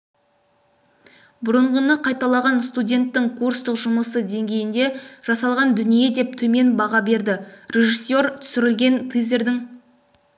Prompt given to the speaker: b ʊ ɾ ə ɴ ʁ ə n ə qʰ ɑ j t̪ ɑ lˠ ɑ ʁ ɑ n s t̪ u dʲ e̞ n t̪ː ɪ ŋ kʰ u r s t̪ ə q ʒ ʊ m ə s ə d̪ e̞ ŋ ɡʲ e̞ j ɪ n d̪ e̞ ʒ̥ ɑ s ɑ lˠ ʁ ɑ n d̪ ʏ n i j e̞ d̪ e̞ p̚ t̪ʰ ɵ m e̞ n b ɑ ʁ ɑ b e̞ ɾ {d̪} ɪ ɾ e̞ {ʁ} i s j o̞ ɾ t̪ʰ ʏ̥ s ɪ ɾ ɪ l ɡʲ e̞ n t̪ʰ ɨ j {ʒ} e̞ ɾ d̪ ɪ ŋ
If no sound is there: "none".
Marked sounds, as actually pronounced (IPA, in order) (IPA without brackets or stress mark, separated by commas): d̪, ʒ, z